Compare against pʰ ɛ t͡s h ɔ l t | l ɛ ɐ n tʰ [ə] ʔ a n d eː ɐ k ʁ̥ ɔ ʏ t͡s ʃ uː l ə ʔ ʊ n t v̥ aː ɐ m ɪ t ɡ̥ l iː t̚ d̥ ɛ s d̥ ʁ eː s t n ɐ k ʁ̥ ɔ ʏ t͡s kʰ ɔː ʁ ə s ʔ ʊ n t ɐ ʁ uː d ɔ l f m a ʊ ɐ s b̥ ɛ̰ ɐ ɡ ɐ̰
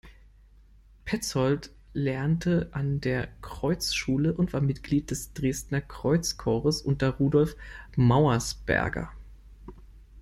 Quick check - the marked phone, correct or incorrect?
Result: correct